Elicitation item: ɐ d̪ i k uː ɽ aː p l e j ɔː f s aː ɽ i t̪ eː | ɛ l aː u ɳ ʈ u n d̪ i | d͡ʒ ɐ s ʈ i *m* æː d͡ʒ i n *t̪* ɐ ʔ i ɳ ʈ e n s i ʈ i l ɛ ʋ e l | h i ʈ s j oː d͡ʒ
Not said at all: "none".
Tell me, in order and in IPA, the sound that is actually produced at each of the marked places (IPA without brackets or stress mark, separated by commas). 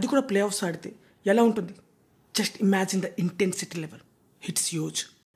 m, d̪